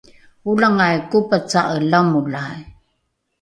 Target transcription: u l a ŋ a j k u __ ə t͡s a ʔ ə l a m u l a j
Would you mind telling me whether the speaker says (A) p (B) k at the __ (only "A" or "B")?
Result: A